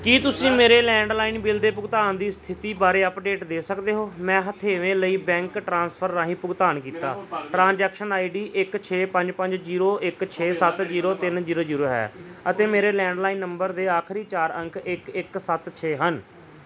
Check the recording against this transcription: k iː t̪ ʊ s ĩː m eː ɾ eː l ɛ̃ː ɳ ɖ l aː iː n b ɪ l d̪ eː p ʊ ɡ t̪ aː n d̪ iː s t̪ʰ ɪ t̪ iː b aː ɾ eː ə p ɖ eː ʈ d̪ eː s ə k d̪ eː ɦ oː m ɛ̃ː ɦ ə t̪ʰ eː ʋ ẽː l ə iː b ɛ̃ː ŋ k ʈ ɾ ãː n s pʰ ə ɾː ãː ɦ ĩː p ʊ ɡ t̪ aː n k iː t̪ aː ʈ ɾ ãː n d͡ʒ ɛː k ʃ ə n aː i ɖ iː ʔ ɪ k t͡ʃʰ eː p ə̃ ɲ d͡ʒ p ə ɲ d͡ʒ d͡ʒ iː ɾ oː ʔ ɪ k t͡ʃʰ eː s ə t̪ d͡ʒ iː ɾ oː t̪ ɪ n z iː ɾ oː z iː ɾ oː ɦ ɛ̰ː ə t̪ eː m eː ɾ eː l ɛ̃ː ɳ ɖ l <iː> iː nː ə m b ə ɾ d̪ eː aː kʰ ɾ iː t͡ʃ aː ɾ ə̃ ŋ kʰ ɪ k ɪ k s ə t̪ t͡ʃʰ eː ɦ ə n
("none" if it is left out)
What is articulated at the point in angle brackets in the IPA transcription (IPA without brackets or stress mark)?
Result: aː